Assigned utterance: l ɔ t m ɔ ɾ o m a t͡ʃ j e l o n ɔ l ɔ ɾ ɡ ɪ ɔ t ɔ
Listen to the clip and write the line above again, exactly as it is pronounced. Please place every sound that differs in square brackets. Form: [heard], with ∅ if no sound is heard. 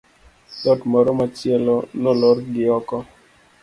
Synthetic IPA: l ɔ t m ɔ ɾ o m a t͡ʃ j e l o n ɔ l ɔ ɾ ɡ ɪ ɔ [k] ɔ